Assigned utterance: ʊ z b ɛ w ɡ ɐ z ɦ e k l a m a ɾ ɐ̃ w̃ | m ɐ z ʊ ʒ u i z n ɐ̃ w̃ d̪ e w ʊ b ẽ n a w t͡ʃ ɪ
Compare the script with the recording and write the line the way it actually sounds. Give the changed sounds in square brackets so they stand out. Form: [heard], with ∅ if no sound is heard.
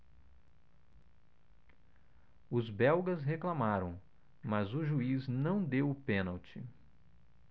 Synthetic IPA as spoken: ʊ z b ɛ w ɡ ɐ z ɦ e k l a m a ɾ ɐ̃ w̃ | m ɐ z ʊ ʒ u i z n ɐ̃ w̃ d̪ e w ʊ [p] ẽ n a w t͡ʃ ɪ